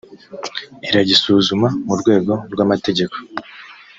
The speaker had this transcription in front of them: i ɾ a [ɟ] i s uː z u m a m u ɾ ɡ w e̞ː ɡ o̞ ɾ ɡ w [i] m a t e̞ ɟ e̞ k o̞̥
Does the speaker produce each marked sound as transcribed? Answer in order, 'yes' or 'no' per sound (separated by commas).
yes, no